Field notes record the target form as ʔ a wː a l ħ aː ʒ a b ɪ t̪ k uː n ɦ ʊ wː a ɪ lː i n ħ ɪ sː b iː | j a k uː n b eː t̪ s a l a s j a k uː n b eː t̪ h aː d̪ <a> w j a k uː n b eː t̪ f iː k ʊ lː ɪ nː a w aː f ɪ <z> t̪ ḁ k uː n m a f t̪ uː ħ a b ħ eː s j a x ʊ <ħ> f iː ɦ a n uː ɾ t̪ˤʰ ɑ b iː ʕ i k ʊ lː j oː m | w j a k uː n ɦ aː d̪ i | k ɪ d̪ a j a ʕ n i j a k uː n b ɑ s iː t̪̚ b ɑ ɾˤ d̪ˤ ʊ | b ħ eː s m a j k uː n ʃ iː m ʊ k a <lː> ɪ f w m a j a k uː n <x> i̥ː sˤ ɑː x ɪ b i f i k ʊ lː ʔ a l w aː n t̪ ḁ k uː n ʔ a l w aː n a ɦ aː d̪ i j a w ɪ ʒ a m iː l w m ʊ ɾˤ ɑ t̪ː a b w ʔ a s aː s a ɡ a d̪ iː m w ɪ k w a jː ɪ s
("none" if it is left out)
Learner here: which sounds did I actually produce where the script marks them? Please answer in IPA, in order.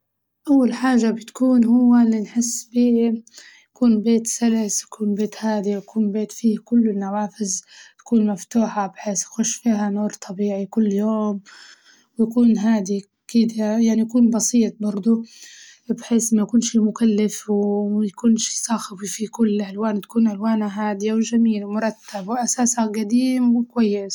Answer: i, z, ʃ, lː, ʃ

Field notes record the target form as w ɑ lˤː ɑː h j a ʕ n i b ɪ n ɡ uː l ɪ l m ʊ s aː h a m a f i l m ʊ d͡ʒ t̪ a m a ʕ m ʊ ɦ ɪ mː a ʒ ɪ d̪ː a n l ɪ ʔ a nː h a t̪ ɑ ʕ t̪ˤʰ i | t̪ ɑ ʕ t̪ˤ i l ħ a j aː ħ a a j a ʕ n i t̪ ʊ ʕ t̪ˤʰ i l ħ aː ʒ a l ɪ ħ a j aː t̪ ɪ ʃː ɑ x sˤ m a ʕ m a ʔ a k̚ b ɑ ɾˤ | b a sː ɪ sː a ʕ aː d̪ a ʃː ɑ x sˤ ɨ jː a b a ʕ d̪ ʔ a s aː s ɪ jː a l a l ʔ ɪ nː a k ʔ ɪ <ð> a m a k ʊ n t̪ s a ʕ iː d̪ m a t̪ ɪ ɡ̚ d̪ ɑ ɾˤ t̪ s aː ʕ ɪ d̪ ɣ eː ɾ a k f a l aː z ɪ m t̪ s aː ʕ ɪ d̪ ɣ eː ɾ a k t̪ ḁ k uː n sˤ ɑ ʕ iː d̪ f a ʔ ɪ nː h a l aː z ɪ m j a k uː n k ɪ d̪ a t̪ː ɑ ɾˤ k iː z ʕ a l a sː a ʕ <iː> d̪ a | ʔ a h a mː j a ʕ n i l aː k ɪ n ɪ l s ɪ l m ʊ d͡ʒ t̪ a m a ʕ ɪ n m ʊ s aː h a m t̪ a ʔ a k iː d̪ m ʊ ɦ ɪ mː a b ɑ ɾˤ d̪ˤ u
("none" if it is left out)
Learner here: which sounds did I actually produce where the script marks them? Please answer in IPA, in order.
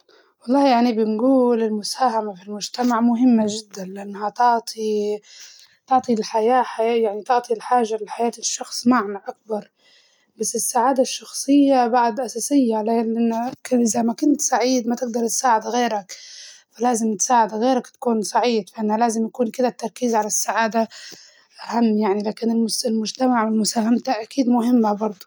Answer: z, aː

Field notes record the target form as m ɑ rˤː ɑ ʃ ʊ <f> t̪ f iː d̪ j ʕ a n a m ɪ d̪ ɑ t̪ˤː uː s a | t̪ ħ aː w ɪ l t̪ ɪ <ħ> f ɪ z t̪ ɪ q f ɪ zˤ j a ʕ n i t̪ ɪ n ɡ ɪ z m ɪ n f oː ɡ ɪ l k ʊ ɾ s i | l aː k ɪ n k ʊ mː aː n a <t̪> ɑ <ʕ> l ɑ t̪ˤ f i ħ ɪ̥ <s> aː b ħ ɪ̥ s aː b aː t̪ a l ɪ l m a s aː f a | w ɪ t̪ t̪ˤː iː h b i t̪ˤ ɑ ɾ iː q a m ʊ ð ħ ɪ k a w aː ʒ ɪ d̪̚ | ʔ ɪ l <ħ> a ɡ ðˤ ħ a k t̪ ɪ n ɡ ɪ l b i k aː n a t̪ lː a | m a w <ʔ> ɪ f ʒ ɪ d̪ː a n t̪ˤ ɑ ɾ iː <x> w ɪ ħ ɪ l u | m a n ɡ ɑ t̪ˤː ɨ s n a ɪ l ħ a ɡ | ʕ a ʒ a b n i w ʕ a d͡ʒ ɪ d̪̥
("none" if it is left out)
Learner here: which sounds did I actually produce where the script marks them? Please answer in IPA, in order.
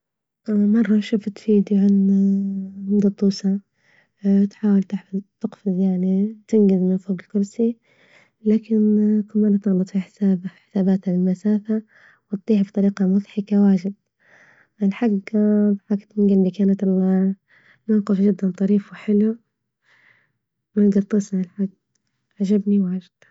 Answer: f, ħ, t̪, ɣ, s, ħ, q, f

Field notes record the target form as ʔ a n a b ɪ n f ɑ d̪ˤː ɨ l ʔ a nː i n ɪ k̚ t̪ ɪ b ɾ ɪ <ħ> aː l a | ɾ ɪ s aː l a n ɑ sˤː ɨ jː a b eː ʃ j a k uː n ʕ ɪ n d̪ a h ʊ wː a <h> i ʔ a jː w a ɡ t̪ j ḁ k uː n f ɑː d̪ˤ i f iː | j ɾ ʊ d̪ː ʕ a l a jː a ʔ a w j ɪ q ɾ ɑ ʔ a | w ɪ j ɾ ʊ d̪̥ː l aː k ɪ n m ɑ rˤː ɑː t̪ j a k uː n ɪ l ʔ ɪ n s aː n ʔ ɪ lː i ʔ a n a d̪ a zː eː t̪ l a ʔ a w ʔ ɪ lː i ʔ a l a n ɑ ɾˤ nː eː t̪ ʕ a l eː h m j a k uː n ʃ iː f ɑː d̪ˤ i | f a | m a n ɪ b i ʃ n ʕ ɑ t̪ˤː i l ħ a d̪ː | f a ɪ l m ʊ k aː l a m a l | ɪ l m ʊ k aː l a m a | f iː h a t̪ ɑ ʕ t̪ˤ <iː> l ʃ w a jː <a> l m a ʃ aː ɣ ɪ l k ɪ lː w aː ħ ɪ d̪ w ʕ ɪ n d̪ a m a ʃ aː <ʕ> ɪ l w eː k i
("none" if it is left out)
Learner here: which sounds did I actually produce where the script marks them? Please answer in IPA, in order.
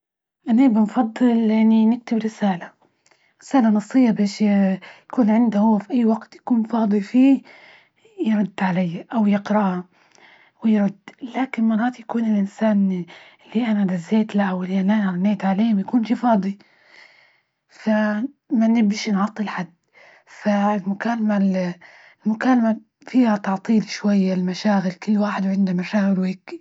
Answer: s, f, iː, a, ɣ

